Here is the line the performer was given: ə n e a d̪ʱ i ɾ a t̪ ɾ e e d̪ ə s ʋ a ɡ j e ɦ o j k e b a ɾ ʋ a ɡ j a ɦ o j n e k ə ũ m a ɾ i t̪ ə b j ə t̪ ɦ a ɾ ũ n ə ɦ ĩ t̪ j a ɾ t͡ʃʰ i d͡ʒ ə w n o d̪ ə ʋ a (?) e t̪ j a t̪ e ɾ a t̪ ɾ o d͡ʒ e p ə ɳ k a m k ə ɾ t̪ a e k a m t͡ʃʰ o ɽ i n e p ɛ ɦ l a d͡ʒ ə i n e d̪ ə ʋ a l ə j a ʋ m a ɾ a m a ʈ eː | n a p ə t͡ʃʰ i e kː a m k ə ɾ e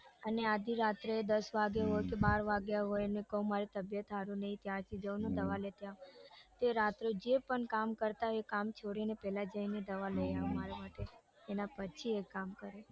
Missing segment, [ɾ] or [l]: l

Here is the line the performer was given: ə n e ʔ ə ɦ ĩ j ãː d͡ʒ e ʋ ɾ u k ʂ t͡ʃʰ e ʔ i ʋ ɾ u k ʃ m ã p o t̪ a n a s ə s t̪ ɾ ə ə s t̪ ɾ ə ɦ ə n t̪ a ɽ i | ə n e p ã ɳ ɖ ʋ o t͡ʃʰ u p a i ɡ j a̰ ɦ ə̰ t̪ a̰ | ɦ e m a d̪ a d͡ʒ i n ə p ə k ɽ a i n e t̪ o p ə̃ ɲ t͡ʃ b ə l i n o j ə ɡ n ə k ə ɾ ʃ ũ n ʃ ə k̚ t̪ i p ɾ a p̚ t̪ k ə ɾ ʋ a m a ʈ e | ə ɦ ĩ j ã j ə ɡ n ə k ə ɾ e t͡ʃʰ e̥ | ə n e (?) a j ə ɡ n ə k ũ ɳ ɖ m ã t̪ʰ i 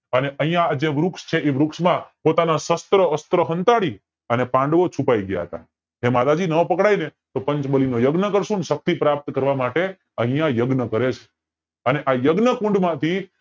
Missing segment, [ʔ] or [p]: ʔ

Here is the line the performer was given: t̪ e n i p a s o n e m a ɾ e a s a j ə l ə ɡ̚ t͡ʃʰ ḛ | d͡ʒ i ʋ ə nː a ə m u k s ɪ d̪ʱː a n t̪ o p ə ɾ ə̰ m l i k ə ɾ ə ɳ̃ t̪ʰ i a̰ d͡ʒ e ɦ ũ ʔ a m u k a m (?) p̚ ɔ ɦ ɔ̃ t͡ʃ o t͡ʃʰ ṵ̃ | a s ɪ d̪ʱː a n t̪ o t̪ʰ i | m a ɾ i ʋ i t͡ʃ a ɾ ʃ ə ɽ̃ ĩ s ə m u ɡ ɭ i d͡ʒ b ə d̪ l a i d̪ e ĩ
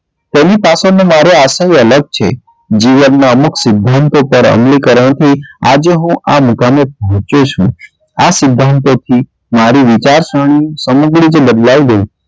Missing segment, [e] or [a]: e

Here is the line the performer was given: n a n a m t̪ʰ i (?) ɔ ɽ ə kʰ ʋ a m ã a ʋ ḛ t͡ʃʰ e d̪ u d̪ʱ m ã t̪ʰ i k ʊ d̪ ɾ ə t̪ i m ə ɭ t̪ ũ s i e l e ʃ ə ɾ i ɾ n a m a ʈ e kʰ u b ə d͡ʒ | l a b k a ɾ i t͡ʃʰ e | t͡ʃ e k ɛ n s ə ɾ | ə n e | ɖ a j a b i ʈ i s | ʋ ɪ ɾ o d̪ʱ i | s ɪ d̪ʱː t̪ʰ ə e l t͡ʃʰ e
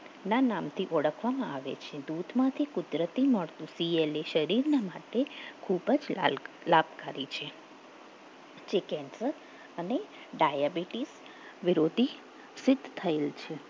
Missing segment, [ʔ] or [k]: ʔ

